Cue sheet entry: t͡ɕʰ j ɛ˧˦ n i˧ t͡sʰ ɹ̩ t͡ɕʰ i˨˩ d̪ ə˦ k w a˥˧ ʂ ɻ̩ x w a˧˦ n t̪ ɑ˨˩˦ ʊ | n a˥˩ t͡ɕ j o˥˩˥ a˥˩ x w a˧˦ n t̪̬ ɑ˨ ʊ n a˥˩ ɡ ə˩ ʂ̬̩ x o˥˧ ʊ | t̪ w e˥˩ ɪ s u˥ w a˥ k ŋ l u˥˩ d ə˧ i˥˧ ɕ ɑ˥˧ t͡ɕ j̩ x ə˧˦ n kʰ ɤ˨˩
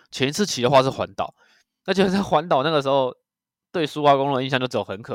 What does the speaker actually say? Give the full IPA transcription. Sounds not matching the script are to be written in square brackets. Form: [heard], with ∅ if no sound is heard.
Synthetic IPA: t͡ɕʰ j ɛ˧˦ n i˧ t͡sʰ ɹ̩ t͡ɕʰ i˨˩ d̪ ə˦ [x] w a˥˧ ʂ ɻ̩ x w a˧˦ n t̪ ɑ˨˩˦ ʊ | n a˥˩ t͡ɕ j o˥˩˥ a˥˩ x w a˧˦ n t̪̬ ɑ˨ ʊ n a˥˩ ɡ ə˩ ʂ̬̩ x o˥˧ ʊ | t̪ w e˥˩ ɪ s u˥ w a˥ k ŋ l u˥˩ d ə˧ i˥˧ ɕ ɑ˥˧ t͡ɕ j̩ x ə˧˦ n kʰ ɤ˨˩